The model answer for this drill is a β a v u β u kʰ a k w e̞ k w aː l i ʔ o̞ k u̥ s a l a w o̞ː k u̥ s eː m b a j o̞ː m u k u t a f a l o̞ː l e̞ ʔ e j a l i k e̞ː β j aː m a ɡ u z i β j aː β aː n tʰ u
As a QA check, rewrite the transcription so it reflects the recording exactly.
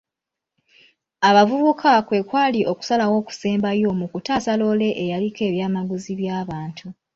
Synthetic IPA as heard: a β a v u β u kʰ a k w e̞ k w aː l i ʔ o̞ k u̥ s a l a w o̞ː k u̥ s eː m b a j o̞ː m u k u t a s a l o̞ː l e̞ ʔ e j a l i k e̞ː β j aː m a ɡ u z i β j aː β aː n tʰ u